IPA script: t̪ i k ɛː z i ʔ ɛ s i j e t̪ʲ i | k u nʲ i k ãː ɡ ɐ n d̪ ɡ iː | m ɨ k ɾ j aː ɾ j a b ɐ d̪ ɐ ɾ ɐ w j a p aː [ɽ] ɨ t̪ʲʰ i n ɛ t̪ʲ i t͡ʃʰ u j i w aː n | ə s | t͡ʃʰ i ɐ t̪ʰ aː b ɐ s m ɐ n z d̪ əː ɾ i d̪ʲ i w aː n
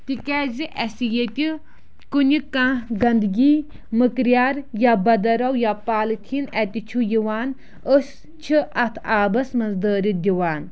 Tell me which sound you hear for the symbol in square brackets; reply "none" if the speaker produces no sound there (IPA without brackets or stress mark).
l